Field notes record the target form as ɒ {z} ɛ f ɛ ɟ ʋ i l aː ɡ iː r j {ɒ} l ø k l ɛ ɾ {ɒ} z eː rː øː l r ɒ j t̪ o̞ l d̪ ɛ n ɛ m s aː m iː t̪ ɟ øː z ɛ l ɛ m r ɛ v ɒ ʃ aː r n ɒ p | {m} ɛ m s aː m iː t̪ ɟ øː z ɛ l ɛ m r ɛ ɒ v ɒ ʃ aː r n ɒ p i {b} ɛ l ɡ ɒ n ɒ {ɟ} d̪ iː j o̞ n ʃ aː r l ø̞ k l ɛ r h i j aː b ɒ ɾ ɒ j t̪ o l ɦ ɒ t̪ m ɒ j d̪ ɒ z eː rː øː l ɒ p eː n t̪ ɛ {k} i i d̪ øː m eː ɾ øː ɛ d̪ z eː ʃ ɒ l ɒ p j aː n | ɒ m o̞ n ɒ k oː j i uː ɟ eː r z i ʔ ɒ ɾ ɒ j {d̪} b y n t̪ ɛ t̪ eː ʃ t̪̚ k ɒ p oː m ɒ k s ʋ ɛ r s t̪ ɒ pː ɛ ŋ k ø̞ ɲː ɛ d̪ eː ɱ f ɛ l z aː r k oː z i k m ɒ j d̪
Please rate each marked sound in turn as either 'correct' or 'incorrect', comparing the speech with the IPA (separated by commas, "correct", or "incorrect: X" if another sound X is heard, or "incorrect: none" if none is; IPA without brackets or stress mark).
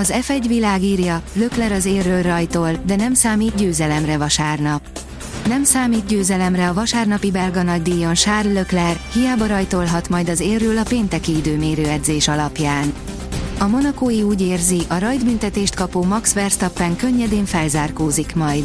correct, correct, correct, incorrect: n, correct, correct, correct, correct